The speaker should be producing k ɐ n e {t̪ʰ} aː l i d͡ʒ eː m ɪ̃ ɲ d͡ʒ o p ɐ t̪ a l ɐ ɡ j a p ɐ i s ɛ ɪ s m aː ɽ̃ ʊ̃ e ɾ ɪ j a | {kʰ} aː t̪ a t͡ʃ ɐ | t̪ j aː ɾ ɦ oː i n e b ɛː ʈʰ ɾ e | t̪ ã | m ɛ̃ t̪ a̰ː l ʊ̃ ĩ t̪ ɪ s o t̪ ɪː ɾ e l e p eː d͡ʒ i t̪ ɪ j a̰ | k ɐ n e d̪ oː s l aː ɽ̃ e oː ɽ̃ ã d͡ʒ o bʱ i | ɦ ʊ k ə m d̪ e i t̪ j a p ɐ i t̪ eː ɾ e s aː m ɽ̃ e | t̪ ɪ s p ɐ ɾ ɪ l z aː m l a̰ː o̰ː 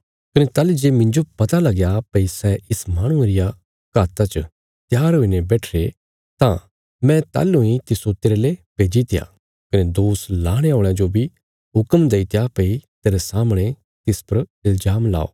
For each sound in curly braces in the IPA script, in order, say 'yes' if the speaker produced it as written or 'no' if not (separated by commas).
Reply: no, no